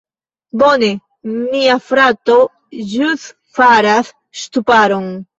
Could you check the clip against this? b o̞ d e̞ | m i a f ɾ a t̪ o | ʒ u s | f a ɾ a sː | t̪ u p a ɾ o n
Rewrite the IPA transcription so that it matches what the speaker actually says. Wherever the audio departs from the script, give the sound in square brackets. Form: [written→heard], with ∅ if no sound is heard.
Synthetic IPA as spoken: b o̞ [d→n] e̞ | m i a f ɾ a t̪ o | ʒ u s | f a ɾ a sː | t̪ u p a ɾ o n